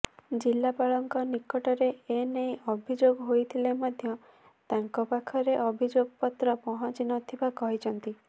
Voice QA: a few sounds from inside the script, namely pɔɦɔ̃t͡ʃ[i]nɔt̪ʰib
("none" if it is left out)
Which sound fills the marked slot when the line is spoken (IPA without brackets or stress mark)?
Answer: i